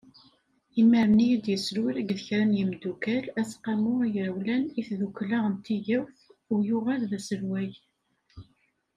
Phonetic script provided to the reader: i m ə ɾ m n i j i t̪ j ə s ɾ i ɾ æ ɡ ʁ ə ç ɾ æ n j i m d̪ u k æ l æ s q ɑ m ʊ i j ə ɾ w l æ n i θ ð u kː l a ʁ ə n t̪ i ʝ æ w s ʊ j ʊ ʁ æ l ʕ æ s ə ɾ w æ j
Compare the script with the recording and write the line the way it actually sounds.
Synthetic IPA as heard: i m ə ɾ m n i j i d̪ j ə s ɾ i ɾ æ ɡ ð ə ç ɾ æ n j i m d̪ u k æ l æ s q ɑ m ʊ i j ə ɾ w l æ n i θ ð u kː l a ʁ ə n t̪ i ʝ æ w θ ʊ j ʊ ʁ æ l ð æ s ə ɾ w æ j